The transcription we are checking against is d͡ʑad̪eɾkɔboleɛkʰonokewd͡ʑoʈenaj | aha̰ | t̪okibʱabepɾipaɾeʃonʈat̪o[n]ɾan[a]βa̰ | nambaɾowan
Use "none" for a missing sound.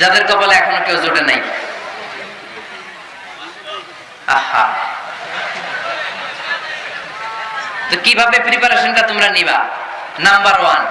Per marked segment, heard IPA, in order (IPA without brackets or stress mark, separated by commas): m, i